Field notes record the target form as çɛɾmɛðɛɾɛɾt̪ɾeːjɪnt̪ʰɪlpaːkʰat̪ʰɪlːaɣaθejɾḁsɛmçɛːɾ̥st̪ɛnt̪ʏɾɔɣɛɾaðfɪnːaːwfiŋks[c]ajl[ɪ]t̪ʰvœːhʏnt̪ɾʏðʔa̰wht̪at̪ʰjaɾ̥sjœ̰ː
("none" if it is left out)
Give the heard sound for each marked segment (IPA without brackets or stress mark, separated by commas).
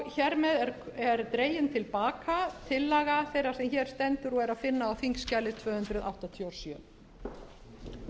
c, ɪ